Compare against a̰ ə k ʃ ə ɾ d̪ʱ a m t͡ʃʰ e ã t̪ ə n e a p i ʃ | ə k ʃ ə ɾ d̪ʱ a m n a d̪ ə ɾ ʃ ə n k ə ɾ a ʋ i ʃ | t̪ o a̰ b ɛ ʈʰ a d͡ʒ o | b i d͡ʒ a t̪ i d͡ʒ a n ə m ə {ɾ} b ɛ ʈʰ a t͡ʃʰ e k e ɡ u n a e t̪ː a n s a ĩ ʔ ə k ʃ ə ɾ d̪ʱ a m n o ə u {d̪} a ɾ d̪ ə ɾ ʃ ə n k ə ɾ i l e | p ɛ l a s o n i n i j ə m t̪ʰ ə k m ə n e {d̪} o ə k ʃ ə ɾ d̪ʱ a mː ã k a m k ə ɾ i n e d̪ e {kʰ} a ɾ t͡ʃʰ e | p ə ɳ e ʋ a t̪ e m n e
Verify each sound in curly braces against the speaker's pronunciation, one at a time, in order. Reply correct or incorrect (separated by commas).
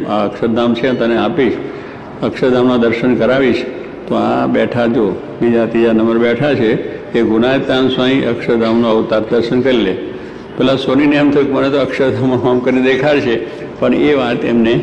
correct, incorrect, incorrect, correct